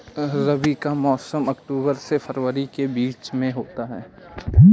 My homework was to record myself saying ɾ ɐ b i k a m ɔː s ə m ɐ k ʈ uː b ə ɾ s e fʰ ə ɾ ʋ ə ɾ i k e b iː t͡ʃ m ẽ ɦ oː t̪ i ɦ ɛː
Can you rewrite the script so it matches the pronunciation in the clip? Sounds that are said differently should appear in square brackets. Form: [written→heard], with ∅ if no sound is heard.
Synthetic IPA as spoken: ɾ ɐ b i k a m ɔː s ə m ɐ k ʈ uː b ə ɾ s e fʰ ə ɾ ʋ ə ɾ i k e b iː t͡ʃ m ẽ ɦ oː t̪ [i→a] ɦ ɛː